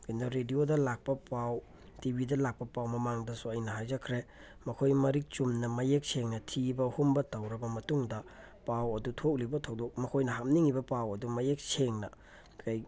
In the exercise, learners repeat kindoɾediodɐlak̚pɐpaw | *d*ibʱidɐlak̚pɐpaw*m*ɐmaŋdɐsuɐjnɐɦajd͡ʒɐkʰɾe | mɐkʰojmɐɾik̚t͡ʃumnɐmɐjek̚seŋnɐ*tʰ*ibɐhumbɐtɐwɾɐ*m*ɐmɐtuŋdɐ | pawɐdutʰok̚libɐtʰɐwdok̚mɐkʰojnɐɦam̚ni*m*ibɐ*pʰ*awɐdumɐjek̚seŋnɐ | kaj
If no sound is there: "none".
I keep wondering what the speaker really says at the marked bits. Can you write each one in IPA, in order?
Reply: t, m, tʰ, b, ŋ, p

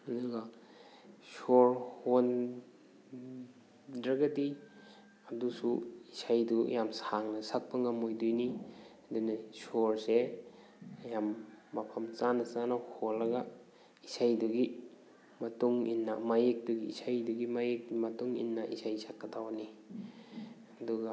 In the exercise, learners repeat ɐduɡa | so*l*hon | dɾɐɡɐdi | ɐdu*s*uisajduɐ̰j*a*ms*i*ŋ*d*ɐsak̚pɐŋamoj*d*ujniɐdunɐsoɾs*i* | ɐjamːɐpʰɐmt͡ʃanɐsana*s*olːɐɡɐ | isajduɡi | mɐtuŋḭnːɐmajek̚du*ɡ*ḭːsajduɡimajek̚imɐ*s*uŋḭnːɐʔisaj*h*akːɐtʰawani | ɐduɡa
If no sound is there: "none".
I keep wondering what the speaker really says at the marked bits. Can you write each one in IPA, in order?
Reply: ɾ, s, a, a, n, d, e, h, ɡ, t, s

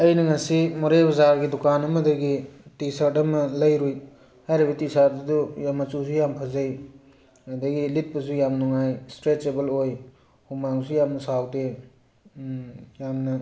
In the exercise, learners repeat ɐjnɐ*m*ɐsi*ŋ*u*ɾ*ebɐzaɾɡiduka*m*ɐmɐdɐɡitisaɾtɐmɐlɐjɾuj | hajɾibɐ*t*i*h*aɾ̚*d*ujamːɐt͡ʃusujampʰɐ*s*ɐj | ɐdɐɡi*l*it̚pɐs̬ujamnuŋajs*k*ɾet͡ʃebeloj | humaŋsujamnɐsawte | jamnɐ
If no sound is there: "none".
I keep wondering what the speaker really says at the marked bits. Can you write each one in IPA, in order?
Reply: ŋ, m, ɾ, n, t, s, d, z, l, t

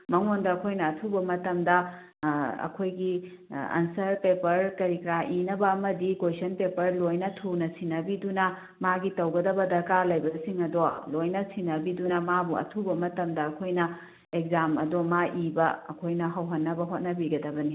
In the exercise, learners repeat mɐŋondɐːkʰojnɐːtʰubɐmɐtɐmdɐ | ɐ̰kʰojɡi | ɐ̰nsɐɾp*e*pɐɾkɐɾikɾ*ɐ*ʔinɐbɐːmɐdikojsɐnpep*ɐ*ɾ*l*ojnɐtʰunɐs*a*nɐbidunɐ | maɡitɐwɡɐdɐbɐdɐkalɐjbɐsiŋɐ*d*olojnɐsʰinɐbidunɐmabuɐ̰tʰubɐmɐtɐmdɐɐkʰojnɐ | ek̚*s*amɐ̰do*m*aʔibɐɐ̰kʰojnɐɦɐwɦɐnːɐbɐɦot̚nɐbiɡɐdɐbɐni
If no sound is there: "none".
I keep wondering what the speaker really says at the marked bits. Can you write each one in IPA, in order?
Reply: e, a, ɐ, l, i, d, z, m

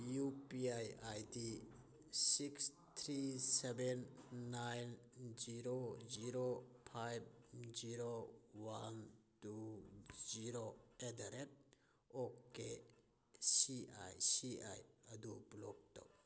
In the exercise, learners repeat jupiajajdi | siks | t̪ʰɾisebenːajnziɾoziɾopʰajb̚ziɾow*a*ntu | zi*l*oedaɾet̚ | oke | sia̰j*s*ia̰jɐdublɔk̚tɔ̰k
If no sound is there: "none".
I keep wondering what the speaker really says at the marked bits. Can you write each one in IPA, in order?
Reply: a, ɾ, s

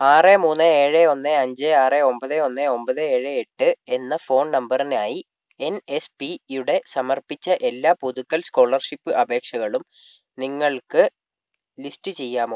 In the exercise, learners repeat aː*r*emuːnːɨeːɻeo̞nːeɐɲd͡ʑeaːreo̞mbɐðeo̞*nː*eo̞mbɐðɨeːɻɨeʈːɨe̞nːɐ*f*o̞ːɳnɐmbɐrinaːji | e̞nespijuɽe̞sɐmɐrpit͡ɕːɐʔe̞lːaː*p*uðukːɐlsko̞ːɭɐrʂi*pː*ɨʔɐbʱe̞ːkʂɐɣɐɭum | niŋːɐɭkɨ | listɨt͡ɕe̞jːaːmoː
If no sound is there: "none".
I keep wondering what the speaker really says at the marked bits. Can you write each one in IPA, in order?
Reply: r, nː, f, p, pː

